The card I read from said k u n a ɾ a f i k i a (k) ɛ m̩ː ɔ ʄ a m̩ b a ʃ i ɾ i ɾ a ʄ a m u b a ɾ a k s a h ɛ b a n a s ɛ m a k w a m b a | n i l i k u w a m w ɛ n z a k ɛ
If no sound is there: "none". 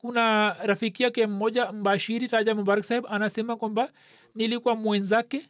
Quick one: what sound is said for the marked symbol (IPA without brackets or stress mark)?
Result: k